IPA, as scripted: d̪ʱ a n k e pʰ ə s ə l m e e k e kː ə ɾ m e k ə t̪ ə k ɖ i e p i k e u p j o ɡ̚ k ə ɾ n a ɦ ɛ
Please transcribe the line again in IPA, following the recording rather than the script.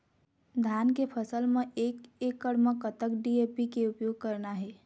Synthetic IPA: d̪ʱ a n k e pʰ ə s ə l m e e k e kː ə ɽ m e k ə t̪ ə k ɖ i e p i k e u p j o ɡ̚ k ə ɾ n a ɦ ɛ

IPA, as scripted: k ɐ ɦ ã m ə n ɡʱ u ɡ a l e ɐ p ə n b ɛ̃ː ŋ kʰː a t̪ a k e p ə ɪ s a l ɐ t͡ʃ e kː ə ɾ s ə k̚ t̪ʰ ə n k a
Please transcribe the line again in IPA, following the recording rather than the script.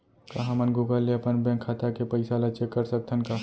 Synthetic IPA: k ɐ ɦ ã m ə n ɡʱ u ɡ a l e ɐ p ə n b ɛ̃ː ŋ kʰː a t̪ a k e p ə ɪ s a l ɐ t͡ʃ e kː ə ɾ s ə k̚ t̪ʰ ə n k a

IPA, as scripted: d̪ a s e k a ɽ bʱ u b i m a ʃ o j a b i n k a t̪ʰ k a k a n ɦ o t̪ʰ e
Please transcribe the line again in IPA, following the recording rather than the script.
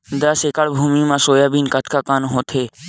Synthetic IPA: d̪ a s e k a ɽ bʱ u m i m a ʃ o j a b i n k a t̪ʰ k a k a n ɦ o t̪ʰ e

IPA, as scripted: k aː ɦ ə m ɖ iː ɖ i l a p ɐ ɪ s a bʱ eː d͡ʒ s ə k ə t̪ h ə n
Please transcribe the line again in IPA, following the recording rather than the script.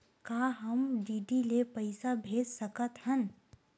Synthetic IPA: k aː ɦ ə m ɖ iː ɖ i l e p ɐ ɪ s a bʱ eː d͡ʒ s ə k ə t̪ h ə n

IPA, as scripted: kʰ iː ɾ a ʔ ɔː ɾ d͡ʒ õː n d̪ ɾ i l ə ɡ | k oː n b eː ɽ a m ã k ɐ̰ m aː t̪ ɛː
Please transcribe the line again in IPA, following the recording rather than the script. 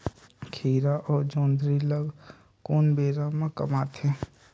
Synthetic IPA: kʰ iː ɾ a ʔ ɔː ɾ d͡ʒ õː n d̪ ɾ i l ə ɡ | k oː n b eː ɾ a m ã k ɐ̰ m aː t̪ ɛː

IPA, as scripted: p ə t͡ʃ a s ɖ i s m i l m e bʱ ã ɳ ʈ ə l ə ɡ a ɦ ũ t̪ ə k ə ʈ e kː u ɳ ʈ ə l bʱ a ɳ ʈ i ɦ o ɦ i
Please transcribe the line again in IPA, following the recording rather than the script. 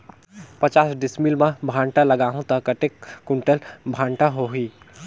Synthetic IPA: p ə t͡ʃ a s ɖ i s m i l m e bʱ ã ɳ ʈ a l ə ɡ a ɦ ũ t̪ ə k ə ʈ e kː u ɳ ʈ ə l bʱ a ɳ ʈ a ɦ o ɦ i

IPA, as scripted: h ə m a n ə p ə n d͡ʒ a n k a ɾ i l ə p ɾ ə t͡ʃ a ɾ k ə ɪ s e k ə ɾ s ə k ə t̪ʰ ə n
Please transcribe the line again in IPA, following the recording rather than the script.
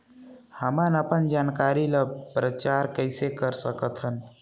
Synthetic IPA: h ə m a n ə p ə n d͡ʒ a n k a ɾ i l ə p ɾ ə t͡ʃ a ɾ k ə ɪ s e k ə ɾ s ə k ə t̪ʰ ə n

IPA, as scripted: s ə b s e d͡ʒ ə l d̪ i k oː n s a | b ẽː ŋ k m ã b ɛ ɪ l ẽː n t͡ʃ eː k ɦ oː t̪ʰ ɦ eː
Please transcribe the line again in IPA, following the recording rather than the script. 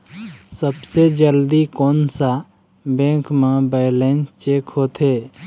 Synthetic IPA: s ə b s e d͡ʒ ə l d̪ i k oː n s a | b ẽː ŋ k m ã b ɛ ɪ l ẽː n t͡ʃ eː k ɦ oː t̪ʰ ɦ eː

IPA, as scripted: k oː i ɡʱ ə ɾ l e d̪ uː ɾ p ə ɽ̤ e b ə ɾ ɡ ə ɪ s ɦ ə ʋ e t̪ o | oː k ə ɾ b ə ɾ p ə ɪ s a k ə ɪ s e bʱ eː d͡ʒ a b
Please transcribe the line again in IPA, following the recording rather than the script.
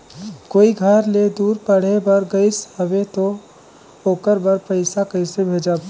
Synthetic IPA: k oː i ɡʱ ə ɾ l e d̪ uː ɾ p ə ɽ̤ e b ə ɾ ɡ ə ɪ s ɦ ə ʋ e t̪ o | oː k ə ɾ b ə ɾ p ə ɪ s a k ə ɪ s e bʱ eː d͡ʒ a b

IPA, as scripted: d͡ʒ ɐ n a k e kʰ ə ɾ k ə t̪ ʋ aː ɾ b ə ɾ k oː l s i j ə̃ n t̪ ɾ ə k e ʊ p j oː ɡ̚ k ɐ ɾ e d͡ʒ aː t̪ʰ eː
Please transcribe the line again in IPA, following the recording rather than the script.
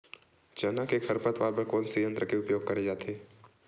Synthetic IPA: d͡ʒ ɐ n a k e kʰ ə ɾ p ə t̪ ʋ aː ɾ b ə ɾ k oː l s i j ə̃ n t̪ ɾ ə k e ʊ p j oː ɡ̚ k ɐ ɾ e d͡ʒ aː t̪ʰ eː

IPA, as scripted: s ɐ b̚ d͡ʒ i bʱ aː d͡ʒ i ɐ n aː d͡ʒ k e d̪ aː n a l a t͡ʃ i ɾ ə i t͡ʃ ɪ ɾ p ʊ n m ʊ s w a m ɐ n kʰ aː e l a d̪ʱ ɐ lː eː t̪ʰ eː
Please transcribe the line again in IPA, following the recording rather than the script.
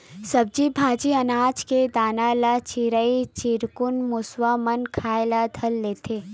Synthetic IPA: s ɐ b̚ d͡ʒ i bʱ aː d͡ʒ i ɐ n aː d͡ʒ k e d̪ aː n a l a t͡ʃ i ɾ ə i t͡ʃ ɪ ɾ k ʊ n m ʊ s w a m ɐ n kʰ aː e l a d̪ʱ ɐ lː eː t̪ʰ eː

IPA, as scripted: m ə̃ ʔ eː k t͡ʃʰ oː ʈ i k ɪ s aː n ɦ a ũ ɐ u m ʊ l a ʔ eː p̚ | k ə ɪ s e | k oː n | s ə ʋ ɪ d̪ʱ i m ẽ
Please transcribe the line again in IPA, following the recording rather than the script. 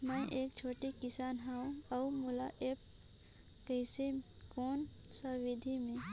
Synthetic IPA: m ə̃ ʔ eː k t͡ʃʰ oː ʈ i k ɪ s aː n ɦ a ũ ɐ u m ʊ l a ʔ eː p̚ | k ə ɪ s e | k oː n | s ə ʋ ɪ d̪ʱ i m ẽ

